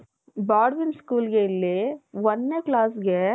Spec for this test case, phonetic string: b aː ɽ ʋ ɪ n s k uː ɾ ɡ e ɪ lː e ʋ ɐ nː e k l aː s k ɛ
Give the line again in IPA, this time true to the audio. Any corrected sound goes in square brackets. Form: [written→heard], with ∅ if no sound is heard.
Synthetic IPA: b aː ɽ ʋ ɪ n s k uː [ɾ→l] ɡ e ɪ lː e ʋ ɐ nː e k l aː s [k→ɡ] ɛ